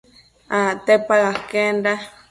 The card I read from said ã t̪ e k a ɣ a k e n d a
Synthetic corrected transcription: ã t̪ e p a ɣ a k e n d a